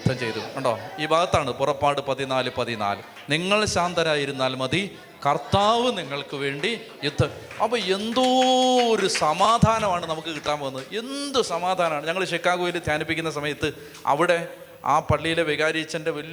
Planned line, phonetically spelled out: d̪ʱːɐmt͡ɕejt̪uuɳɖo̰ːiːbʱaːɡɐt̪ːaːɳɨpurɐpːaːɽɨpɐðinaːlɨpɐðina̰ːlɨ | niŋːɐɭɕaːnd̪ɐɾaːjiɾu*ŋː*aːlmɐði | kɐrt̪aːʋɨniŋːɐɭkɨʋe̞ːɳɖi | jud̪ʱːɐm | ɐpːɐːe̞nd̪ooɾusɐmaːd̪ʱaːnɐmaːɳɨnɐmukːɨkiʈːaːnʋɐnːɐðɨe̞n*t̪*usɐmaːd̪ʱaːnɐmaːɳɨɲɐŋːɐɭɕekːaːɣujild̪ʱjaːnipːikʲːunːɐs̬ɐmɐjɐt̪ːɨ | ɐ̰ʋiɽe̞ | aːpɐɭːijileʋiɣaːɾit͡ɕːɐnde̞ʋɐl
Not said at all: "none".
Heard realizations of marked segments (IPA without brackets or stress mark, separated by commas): nː, d̪